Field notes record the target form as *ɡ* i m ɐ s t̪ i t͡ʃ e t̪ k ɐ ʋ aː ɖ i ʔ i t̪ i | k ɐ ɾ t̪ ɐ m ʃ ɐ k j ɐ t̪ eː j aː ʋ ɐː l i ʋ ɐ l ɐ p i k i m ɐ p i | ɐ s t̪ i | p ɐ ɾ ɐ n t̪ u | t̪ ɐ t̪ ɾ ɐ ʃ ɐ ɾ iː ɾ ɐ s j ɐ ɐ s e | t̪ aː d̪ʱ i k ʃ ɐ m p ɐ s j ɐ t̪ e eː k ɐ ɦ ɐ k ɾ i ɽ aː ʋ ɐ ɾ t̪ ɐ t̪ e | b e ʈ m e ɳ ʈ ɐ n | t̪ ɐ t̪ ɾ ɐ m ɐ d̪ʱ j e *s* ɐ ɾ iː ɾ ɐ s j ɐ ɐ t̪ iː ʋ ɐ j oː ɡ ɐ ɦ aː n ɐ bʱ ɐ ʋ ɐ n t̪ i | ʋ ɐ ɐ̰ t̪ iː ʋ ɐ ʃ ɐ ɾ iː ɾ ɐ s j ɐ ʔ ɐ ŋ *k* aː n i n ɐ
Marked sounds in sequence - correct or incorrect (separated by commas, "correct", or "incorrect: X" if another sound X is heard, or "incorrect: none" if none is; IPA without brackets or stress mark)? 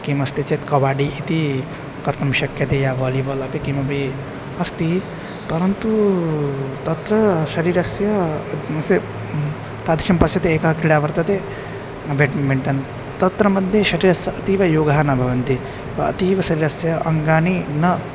incorrect: k, incorrect: ʃ, incorrect: ɡ